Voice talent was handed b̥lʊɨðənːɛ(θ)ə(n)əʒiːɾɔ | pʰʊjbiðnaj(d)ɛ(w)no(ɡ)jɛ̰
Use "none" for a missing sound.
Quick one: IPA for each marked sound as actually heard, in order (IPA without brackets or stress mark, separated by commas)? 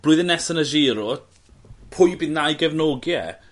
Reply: s, n, ɡ, v, ɡ